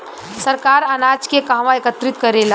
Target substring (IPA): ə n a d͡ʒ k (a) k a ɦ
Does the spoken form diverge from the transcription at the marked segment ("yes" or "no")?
yes